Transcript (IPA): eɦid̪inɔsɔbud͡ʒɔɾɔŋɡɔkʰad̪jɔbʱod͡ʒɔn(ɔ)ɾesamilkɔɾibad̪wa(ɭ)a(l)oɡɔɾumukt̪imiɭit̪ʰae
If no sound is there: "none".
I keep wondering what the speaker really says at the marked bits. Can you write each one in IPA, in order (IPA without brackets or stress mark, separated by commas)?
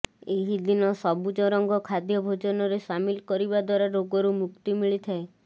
ɔ, ɾ, ɾ